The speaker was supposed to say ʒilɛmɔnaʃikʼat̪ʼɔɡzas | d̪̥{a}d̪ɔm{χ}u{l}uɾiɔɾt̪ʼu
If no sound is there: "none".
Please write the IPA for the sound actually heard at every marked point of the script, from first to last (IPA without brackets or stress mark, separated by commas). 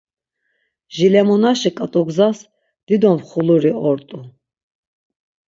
i, χ, l